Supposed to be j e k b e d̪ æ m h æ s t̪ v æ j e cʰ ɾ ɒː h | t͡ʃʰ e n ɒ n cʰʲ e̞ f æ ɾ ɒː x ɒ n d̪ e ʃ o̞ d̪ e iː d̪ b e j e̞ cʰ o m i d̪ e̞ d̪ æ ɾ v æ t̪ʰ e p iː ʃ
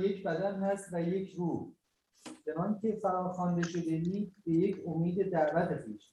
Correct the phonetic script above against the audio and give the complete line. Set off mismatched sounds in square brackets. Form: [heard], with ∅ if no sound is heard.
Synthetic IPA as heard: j e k b [æ] d̪ æ [n] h æ s t̪ v æ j e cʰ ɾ [uː] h | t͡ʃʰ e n ɒ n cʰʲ e̞ f æ ɾ ɒː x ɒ n d̪ e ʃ o̞ d̪ e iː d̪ b e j e̞ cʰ o m [iː] d̪ e̞ d̪ æ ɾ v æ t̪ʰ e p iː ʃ